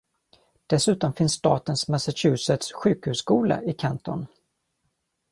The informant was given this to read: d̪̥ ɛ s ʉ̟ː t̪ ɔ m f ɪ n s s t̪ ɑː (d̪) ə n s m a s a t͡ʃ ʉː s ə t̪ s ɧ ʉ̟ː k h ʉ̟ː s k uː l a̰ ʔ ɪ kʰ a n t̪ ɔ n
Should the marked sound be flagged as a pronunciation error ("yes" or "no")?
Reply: yes